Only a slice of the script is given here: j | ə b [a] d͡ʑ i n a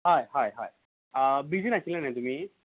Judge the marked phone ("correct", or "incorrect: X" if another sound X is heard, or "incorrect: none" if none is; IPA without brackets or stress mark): incorrect: i